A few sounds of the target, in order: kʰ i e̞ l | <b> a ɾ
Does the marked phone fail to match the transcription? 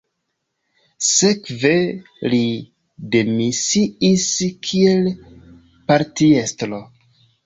yes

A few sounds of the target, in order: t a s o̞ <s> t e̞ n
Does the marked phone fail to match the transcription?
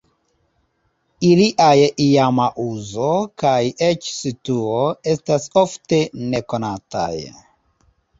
yes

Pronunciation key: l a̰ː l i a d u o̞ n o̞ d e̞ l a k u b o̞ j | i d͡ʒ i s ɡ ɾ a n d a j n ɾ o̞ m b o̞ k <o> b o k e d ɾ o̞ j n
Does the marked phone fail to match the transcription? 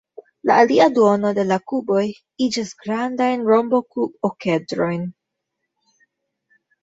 yes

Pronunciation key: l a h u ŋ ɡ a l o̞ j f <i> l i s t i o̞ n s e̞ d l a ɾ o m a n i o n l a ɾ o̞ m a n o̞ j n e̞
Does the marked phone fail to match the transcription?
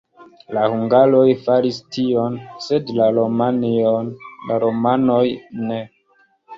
yes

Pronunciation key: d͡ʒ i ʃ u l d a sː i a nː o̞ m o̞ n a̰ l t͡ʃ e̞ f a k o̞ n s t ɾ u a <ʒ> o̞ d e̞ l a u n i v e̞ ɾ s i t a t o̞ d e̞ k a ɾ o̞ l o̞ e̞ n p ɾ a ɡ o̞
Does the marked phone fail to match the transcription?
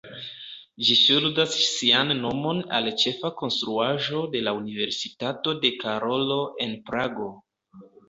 no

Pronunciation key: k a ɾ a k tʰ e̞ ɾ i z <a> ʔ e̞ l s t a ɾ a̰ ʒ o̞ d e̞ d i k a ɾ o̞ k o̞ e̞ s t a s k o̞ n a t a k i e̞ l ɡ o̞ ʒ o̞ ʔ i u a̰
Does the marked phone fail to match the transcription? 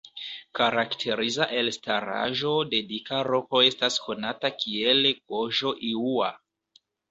no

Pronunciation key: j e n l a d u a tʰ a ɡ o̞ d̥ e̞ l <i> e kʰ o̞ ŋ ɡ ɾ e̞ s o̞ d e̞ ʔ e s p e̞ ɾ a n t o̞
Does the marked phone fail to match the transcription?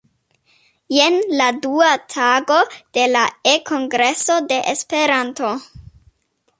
yes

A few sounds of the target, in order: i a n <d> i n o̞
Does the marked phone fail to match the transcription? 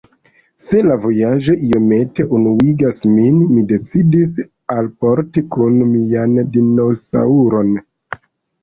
no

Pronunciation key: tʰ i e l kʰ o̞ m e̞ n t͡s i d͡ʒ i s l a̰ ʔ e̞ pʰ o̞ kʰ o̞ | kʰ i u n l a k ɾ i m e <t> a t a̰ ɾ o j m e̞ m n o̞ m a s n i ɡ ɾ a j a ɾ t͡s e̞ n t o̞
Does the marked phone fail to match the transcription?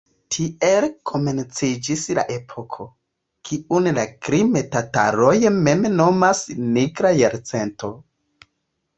no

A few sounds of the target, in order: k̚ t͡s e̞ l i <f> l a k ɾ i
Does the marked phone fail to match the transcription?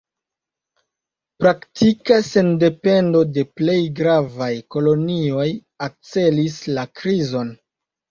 yes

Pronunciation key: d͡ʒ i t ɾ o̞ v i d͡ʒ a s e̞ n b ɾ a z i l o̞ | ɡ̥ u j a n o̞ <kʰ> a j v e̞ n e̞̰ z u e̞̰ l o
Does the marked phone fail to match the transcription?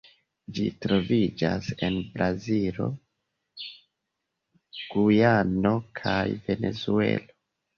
no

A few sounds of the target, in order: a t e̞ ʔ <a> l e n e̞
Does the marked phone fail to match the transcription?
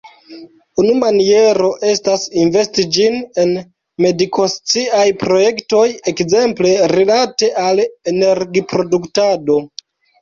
no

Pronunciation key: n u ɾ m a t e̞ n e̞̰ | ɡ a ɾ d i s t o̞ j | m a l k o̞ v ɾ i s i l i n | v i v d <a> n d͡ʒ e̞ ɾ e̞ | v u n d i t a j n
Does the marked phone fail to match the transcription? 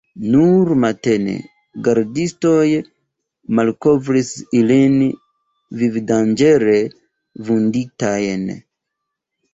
no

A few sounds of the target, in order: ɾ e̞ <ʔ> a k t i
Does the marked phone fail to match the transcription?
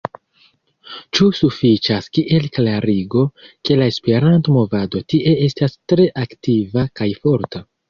no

